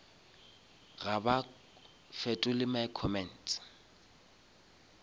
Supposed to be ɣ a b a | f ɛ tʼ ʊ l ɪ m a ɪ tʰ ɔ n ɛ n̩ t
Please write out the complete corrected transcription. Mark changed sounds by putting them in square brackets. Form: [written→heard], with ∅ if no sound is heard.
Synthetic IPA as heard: ɣ a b a | f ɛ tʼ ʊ l ɪ m a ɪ [tʰ→kʰ] ɔ [n→m] ɛ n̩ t